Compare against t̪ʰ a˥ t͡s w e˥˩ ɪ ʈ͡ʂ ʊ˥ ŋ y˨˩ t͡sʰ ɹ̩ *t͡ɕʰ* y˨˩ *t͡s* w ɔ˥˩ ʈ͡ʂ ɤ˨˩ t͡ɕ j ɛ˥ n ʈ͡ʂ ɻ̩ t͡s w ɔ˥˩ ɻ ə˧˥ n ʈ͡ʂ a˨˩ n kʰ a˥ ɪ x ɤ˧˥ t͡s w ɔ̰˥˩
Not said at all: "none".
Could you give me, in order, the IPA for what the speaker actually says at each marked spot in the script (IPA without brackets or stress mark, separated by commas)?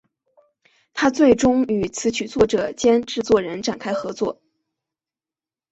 t͡ɕʰ, t͡s